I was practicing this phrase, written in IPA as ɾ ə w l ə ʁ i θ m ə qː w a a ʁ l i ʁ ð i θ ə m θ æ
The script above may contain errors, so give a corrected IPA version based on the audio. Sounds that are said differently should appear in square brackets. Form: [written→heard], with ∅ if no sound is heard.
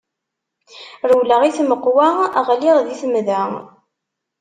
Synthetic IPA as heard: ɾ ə w l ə ʁ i θ m ə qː w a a ʁ l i ʁ ð i θ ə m [θ→ð] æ